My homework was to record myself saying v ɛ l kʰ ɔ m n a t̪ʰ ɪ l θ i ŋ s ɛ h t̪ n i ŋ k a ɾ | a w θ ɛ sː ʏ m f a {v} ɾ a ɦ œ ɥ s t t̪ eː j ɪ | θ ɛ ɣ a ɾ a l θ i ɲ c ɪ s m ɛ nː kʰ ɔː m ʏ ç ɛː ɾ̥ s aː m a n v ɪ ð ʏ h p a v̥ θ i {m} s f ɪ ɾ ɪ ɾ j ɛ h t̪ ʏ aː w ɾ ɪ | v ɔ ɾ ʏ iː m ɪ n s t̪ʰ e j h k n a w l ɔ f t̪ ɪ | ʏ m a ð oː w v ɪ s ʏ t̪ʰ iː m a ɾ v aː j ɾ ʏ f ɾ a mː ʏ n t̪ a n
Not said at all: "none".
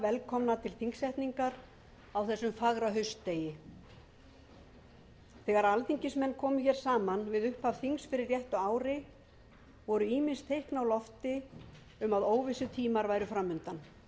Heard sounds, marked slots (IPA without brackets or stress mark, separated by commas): ɣ, ŋ